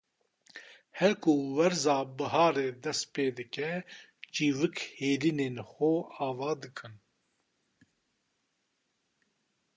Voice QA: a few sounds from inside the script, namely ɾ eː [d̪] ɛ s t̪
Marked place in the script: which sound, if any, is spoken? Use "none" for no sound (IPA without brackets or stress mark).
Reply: d̪